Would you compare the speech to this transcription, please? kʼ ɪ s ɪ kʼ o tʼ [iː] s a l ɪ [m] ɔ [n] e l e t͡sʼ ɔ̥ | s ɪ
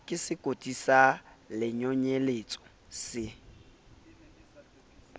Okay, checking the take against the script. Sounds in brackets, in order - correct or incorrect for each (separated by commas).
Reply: incorrect, incorrect, incorrect